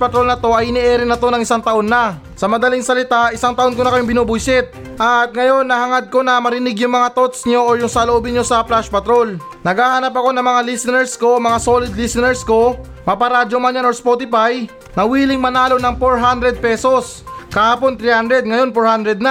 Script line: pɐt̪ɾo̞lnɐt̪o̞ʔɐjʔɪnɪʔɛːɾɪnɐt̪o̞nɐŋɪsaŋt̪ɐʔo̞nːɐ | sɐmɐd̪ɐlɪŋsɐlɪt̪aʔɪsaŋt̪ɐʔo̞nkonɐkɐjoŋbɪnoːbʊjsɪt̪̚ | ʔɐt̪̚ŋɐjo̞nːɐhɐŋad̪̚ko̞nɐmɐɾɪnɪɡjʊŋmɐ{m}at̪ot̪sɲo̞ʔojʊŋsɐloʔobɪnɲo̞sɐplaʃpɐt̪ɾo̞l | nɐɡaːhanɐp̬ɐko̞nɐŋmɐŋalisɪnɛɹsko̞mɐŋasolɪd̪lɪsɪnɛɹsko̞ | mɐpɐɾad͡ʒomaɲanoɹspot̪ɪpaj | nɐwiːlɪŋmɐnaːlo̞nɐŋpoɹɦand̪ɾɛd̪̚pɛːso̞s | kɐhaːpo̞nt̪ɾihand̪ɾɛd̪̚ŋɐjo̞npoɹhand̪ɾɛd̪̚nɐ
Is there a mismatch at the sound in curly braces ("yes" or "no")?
yes